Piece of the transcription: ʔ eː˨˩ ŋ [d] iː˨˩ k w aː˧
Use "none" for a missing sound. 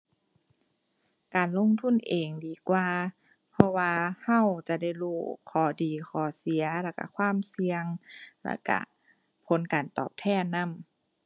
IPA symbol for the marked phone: d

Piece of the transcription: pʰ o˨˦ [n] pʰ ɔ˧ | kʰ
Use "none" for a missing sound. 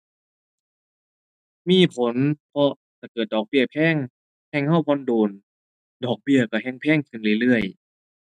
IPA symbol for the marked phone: n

